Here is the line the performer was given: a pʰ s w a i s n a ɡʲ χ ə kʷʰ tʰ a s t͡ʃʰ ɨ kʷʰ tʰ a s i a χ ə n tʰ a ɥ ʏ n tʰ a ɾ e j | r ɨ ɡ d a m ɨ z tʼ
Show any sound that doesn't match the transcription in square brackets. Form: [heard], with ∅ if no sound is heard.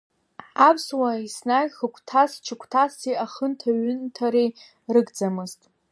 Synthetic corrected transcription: a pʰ s w a i s n a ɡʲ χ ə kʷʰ tʰ a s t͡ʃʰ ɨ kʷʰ tʰ a s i a χ ə n tʰ a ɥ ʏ n tʰ a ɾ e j | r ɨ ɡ [d͡z] a m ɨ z tʼ